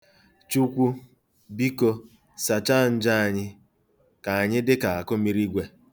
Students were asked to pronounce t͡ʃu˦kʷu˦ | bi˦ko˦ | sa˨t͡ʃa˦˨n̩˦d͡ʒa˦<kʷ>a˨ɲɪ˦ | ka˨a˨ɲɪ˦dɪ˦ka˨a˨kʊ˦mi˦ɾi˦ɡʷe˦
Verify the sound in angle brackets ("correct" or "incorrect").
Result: incorrect